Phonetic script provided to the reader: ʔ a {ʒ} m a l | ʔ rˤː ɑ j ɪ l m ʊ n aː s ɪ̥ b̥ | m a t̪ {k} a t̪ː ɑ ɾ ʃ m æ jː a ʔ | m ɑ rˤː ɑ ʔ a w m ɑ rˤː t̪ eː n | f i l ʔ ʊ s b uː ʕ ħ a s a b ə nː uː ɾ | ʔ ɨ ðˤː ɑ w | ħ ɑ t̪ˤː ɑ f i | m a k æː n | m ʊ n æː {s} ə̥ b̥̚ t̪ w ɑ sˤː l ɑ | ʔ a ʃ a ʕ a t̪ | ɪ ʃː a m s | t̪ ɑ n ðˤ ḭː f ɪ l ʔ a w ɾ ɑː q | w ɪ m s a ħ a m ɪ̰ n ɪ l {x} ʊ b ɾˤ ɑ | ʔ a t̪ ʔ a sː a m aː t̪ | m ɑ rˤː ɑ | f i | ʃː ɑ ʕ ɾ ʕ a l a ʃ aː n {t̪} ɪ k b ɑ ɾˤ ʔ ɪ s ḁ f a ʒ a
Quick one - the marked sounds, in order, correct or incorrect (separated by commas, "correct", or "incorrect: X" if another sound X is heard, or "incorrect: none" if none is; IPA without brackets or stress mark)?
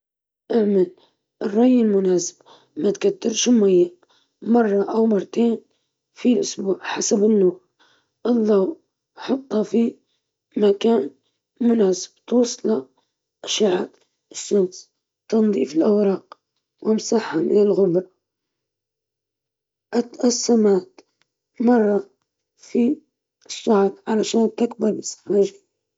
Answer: incorrect: ʕ, correct, correct, incorrect: ɣ, correct